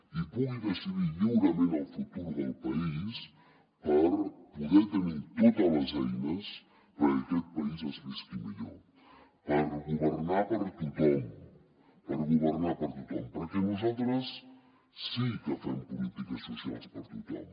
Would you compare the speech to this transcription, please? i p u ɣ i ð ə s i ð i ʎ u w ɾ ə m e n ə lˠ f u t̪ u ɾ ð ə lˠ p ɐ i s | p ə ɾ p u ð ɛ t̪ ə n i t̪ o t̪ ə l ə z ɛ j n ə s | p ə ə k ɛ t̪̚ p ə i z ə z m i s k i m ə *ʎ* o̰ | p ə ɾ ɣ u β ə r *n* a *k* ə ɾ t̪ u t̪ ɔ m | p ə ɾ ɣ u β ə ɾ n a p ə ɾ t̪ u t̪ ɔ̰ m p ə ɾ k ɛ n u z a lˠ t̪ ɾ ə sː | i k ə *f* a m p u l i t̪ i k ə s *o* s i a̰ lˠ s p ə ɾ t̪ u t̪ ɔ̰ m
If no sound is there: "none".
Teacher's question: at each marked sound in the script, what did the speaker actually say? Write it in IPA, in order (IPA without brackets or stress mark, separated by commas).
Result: ʎ, n, p, f, u